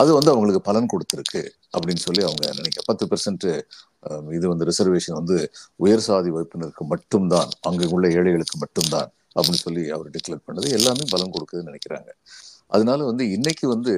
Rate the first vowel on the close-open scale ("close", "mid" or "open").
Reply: open